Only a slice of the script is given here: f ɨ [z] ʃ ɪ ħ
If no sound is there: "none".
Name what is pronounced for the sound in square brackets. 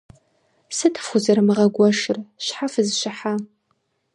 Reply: z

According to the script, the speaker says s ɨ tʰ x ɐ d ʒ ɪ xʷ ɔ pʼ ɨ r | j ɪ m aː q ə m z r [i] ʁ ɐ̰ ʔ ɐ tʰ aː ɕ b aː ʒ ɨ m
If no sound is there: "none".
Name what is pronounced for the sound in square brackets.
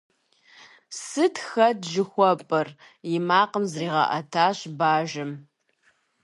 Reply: iː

